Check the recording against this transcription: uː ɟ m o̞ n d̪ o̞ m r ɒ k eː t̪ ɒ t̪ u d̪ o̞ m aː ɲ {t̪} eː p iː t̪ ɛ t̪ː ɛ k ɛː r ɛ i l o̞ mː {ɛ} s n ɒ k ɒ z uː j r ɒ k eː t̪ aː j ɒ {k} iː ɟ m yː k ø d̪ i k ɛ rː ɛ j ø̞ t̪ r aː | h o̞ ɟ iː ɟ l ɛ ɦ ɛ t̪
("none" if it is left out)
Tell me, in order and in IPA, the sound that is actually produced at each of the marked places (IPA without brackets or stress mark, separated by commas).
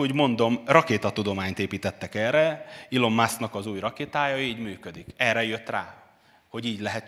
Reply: t̪, a, none